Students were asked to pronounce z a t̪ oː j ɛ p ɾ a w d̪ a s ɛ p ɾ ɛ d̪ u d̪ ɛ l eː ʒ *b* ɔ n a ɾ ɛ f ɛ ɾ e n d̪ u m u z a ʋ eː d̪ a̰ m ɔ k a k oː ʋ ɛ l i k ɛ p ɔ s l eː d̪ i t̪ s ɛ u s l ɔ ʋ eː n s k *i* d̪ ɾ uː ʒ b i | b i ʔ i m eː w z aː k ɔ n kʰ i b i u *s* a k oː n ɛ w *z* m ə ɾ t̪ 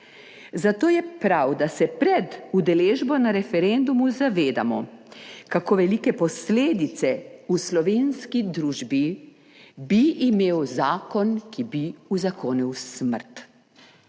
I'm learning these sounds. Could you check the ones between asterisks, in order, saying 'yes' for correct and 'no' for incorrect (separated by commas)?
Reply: yes, yes, no, no